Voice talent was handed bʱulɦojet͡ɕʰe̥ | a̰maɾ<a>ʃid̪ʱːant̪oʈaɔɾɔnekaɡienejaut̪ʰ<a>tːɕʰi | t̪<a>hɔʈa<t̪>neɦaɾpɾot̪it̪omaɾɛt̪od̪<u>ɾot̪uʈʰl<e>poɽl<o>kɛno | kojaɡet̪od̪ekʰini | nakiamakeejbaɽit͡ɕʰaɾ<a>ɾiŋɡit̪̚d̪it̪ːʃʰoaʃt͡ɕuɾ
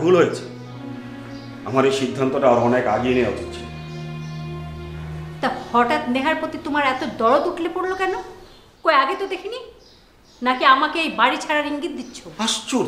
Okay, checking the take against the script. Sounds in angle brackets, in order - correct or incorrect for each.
incorrect, incorrect, correct, correct, incorrect, correct, correct, correct

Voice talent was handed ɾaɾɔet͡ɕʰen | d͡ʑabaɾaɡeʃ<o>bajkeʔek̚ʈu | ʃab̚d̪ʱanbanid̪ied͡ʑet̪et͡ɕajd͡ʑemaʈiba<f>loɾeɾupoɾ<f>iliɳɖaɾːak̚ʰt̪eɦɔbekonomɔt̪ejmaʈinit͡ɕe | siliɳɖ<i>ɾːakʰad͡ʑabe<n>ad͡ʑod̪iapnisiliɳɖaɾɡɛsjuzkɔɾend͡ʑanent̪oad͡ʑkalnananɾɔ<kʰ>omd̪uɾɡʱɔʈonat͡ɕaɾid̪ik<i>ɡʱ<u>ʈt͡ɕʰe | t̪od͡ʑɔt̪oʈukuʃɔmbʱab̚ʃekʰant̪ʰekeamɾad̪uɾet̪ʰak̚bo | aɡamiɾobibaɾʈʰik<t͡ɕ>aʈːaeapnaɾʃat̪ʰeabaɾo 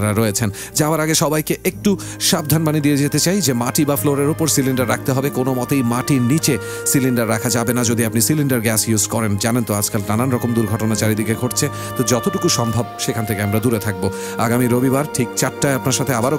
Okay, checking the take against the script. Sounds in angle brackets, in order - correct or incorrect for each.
incorrect, correct, incorrect, incorrect, correct, incorrect, incorrect, incorrect, correct

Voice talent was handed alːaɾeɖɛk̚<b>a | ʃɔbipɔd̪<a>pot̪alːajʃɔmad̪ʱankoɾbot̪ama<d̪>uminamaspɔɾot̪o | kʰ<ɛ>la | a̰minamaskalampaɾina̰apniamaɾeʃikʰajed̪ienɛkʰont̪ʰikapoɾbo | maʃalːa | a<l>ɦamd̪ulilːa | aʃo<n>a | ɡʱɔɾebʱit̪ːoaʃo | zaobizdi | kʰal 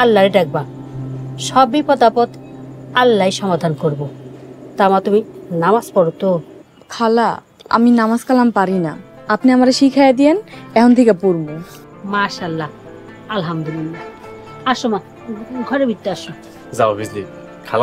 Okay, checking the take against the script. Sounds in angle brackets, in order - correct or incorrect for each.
correct, correct, incorrect, incorrect, correct, incorrect

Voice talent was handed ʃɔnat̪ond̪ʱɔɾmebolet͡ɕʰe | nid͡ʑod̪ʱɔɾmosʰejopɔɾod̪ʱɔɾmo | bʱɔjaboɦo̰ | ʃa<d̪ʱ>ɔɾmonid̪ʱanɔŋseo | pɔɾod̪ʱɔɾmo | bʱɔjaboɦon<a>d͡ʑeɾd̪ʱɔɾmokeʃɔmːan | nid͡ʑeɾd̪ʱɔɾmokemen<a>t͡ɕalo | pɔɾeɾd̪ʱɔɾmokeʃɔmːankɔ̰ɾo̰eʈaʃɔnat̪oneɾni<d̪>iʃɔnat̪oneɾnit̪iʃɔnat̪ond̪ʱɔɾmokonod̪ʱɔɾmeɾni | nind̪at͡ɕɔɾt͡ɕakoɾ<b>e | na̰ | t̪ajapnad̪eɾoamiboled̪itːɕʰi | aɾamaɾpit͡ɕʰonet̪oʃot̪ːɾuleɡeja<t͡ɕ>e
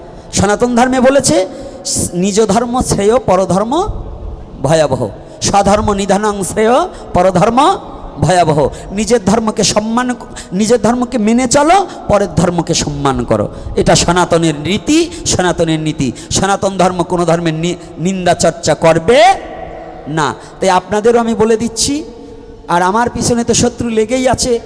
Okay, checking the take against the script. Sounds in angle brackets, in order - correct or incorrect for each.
correct, incorrect, incorrect, incorrect, correct, incorrect

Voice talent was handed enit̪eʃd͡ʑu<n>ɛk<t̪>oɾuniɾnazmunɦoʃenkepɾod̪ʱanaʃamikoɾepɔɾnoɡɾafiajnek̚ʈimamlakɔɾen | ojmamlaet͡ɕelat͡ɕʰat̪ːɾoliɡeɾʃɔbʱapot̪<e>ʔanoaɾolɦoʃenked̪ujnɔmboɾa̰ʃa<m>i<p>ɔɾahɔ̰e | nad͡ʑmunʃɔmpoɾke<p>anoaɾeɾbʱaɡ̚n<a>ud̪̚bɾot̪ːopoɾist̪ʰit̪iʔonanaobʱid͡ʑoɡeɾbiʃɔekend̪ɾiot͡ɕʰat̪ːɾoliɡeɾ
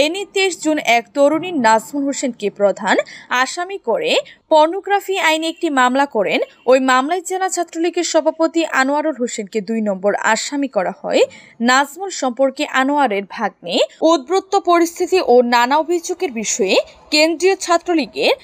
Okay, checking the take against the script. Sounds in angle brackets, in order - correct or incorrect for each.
correct, correct, incorrect, correct, incorrect, incorrect, incorrect

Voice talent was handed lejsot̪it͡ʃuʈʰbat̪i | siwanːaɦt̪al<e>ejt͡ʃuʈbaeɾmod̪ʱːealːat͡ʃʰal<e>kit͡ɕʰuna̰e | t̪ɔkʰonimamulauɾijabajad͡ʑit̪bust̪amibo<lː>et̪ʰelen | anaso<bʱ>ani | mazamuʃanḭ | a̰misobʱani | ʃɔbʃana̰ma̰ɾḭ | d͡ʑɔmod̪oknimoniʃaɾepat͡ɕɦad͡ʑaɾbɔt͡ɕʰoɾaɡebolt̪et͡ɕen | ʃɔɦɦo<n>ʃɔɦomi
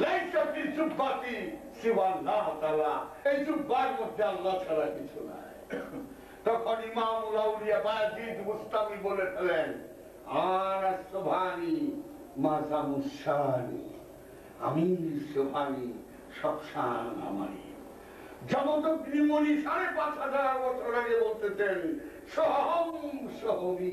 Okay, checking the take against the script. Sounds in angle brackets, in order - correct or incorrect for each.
incorrect, incorrect, incorrect, correct, incorrect

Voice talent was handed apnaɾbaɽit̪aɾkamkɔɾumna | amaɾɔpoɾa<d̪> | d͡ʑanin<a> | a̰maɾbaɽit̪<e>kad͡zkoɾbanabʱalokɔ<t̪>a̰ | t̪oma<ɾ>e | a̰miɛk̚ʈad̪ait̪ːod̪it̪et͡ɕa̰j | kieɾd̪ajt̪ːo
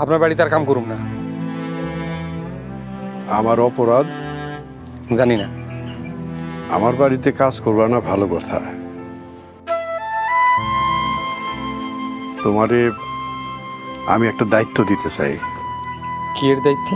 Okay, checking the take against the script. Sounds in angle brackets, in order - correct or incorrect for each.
correct, correct, correct, incorrect, correct

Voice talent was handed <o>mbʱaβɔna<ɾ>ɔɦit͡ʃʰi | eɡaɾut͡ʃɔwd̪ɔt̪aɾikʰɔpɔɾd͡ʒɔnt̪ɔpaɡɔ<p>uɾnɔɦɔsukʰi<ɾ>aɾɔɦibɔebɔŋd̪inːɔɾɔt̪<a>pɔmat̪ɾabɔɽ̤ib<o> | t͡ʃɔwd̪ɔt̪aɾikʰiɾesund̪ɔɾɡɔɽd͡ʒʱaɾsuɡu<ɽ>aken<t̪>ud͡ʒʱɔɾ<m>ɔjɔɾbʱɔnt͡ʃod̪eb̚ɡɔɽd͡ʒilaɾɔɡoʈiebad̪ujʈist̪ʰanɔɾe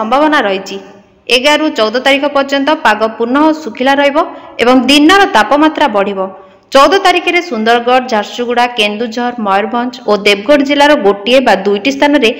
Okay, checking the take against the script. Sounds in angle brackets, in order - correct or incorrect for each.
incorrect, correct, correct, incorrect, correct, incorrect, correct, incorrect, correct

